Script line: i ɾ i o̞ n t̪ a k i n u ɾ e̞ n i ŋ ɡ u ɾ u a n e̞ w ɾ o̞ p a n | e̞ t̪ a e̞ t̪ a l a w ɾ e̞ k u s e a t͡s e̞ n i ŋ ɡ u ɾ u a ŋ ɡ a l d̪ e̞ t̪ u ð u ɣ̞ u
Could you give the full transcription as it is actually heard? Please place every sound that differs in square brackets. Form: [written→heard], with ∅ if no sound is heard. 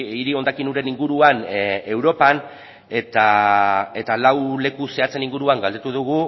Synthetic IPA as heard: i ɾ i o̞ n [t̪→d̪] a k i n u ɾ e̞ n i ŋ ɡ u ɾ u a n e̞ w ɾ o̞ p a n | e̞ t̪ a e̞ t̪ a l a w [ɾ→l] e̞ k u s e a t͡s e̞ n i ŋ ɡ u ɾ u a ŋ ɡ a l d̪ e̞ t̪ u ð u ɣ̞ u